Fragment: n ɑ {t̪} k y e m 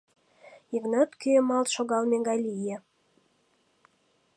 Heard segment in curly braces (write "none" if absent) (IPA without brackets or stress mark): t̪